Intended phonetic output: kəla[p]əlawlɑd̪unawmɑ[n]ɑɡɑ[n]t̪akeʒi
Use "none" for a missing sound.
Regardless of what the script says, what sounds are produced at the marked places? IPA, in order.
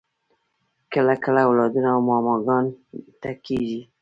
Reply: k, m, n

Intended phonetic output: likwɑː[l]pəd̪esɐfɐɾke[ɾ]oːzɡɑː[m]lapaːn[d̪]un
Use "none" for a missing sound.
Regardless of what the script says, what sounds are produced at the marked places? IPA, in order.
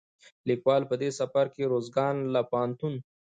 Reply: l, ɾ, n, t̪

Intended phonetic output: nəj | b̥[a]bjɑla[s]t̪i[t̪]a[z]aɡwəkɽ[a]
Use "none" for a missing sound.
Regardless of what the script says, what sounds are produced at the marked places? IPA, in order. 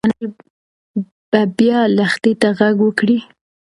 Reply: a, x, t̪, ɣ, i

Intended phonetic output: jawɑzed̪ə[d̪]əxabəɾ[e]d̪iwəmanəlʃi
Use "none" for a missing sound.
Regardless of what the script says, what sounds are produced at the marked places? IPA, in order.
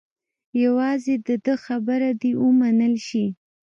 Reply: d̪, a

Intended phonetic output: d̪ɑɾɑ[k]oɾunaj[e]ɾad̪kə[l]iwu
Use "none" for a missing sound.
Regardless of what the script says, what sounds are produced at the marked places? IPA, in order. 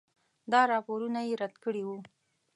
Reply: p, e, ɽ

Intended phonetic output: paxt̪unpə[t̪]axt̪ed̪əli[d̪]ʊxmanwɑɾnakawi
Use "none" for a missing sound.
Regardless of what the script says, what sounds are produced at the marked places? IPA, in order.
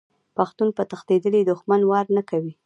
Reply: t̪, d̪

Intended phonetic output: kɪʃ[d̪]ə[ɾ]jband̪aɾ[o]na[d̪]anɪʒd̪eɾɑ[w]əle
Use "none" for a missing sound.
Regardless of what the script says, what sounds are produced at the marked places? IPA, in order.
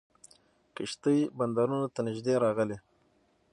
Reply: t̪, none, u, t̪, ɣ

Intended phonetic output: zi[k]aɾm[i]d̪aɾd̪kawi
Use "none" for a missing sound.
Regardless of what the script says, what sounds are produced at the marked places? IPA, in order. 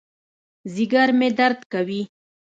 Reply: ɡ, e

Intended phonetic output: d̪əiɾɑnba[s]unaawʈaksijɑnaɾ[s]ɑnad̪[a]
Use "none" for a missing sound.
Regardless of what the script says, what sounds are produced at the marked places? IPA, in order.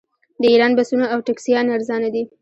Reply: s, z, i

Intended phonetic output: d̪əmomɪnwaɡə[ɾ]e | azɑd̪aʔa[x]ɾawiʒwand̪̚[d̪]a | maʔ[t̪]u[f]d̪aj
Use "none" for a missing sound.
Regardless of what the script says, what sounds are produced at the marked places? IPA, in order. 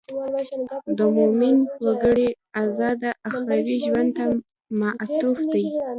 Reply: ɽ, x, t̪, t̪, f

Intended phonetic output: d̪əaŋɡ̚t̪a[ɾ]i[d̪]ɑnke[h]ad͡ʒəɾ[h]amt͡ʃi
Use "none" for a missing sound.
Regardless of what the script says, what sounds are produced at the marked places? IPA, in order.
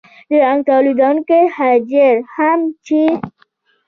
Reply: l, d̪, h, h

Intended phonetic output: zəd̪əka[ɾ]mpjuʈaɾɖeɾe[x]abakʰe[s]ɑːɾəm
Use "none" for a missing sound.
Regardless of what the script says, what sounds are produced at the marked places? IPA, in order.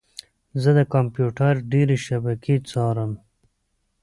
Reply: none, ʃ, t͡s

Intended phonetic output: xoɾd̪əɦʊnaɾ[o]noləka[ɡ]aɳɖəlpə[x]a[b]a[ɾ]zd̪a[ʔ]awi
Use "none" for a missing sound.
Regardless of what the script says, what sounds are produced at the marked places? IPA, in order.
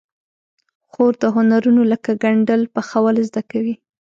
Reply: u, ɡ, x, w, l, k

